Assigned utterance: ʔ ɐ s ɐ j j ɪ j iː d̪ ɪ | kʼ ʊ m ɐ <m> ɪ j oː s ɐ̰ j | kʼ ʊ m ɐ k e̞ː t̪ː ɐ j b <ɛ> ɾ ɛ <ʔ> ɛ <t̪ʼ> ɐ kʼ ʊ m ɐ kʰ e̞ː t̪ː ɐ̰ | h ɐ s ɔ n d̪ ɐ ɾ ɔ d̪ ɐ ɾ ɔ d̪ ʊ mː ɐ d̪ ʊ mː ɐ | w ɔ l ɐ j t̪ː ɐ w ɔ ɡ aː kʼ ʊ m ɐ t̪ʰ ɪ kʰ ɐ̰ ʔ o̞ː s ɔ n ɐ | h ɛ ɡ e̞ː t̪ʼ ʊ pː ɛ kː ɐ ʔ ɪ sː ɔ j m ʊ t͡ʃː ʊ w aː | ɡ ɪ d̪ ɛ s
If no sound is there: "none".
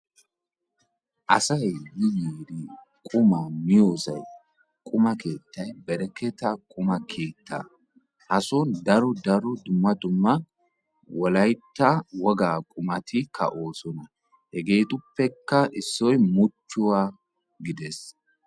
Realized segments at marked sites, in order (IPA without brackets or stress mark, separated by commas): m, ɛ, k, t̪